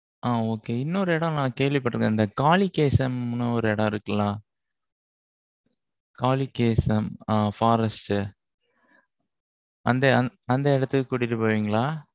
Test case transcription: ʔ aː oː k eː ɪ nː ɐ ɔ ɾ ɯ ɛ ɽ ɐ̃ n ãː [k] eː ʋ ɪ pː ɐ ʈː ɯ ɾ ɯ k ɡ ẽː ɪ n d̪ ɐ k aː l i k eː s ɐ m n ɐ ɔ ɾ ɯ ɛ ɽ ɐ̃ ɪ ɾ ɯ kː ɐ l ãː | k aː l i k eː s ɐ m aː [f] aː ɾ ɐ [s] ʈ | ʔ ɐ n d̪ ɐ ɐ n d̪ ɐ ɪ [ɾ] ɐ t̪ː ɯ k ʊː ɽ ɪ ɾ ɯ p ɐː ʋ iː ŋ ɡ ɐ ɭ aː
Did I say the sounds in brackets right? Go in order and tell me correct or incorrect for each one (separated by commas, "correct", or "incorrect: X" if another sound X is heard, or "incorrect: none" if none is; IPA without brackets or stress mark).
correct, correct, correct, incorrect: ɽ